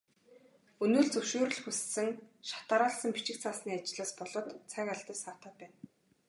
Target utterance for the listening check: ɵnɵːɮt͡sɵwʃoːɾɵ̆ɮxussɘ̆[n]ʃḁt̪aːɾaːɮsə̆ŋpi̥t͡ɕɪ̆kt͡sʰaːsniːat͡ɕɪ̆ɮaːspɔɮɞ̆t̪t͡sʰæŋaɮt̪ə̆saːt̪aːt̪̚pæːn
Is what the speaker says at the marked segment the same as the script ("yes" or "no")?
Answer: no